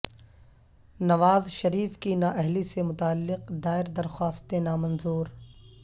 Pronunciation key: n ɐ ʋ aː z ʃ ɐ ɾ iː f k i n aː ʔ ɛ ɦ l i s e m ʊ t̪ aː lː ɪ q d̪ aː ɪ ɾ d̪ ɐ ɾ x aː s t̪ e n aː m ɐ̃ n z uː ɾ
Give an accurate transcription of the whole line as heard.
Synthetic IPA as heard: n ɐ ʋ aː z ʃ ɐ ɾ iː f k i n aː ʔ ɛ ɦ l i s e m ʊ t̪ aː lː ɪ q d̪ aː ɪ ɾ d̪ ɐ ɾ x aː s t̪ e n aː m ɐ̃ n z uː ɾ